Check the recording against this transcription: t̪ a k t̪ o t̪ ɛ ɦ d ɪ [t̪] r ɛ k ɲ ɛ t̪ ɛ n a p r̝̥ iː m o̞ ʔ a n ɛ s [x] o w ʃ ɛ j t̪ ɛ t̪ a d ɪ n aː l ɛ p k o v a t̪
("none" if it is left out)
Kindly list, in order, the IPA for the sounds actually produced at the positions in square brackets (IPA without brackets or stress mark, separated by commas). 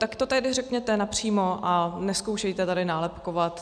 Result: none, k